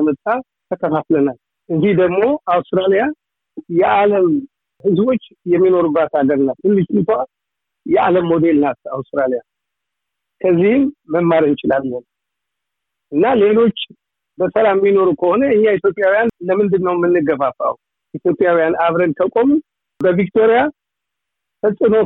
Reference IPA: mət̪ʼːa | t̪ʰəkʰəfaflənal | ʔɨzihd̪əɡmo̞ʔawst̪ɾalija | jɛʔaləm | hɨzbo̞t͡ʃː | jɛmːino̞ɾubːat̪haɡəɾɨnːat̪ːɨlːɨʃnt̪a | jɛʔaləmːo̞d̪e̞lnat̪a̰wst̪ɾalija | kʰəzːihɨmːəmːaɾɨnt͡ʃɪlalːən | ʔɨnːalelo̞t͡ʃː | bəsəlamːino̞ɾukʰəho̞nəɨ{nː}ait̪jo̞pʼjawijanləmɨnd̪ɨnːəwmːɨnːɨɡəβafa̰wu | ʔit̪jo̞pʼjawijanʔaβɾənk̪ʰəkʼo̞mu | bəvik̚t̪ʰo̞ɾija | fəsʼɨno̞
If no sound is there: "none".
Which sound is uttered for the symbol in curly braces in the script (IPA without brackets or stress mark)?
ɲː